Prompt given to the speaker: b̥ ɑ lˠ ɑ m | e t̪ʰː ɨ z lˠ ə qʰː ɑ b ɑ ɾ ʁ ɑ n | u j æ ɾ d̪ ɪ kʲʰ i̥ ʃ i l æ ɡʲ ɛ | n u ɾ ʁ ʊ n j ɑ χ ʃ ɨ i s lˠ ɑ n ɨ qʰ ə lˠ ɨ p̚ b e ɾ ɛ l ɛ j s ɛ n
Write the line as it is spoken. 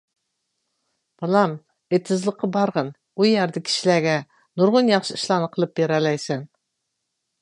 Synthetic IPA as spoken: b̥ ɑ lˠ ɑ m | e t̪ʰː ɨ z lˠ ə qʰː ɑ b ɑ ɾ ʁ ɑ n | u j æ ɾ d̪ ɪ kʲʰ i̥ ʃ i l æ ɡʲ ɛ | n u ɾ ʁ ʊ n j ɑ χ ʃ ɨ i ʃ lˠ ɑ n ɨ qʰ ə lˠ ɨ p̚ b e ɾ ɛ l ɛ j s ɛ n

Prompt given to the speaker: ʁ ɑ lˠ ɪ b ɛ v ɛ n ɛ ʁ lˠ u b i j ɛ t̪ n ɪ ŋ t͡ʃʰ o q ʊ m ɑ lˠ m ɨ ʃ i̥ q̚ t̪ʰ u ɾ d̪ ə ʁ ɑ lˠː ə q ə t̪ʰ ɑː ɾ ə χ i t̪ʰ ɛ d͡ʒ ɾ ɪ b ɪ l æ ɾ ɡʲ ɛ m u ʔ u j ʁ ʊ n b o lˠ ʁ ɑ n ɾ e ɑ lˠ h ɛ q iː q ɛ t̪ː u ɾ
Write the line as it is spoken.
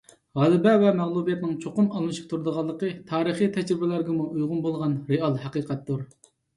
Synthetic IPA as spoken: ʁ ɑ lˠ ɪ b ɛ v ɛ m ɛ ʁ lˠ u b i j ɛ t̪ n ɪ ŋ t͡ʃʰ o q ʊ m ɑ lˠ m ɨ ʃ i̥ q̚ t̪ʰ u ɾ d̪ ə ʁ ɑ lˠː ə q ə t̪ʰ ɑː ɾ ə χ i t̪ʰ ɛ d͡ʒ ɾ ɪ b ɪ l æ ɾ ɡʲ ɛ m u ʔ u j ʁ ʊ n b o lˠ ʁ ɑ n ɾ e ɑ lˠ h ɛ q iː q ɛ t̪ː u ɾ

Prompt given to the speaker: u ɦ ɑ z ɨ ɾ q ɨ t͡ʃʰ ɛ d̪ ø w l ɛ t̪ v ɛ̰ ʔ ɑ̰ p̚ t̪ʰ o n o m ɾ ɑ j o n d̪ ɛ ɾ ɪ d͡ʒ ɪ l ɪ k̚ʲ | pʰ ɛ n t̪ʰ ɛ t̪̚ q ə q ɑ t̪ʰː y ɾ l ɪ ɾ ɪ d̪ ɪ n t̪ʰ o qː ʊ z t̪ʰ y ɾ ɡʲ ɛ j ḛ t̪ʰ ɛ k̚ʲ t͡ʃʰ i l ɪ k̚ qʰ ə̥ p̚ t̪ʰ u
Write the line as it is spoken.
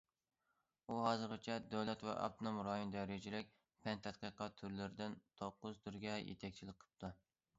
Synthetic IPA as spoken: u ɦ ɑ z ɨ ɾ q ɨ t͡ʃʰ ɛ d̪ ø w l ɛ t̪ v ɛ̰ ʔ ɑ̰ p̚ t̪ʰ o n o m ɾ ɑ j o n d̪ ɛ ɾ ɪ d͡ʒ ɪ l ɪ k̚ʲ | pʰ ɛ n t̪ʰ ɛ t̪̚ q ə q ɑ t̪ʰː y ɾ l ɪ ɾ ɪ d̪ ɪ n t̪ʰ o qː ʊ z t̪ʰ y ɾ ɡʲ ɛ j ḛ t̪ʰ ɛ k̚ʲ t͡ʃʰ i l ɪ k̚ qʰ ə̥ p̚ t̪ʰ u

